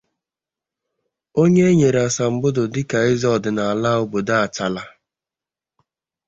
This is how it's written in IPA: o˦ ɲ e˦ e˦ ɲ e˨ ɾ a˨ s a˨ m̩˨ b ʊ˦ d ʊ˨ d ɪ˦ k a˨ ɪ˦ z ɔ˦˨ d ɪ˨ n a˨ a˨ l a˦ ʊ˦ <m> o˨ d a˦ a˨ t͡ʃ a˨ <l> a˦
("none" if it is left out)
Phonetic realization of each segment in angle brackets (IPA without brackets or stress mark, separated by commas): b, l